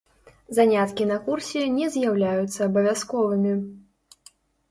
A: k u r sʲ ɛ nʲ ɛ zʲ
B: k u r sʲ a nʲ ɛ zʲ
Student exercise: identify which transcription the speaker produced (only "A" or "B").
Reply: A